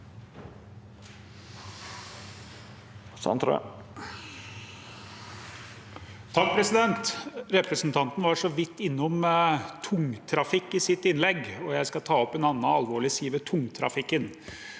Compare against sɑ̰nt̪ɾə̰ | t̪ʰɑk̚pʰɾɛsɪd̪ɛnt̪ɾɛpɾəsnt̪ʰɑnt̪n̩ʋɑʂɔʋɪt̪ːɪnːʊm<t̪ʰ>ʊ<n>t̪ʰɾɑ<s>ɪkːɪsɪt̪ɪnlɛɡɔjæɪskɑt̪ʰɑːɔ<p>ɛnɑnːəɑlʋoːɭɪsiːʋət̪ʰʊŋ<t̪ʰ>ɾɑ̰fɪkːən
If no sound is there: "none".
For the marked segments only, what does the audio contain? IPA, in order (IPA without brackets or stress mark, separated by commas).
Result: t̪ʰ, ŋ, f, p, t̪ʰ